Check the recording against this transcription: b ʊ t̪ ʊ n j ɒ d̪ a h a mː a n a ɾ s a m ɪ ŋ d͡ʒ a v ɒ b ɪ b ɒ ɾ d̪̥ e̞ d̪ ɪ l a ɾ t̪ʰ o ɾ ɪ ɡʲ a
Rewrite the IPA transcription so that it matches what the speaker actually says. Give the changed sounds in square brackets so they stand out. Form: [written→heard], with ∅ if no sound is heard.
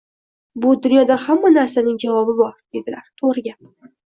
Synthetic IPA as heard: b ʊ [t̪→d̪] ʊ n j ɒ d̪ a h a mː a n a ɾ s a [m→n] ɪ ŋ d͡ʒ a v ɒ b ɪ b ɒ ɾ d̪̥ e̞ d̪ ɪ l a ɾ t̪ʰ o ɾ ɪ ɡʲ a